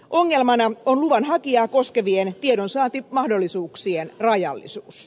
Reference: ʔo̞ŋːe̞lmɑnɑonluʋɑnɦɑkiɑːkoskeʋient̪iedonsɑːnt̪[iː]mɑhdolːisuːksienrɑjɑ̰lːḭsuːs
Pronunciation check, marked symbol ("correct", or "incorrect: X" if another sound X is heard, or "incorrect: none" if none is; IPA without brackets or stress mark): incorrect: i